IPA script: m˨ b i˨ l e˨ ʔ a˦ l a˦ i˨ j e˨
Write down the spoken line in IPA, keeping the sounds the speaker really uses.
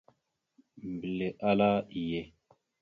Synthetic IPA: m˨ b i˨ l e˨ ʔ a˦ l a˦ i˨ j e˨